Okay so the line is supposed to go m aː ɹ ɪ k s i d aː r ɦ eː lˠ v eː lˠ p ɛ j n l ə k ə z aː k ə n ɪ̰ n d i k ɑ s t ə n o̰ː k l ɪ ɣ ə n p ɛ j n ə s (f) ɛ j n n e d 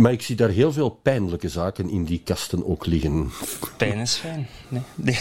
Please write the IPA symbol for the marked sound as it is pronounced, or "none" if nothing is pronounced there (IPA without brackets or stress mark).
f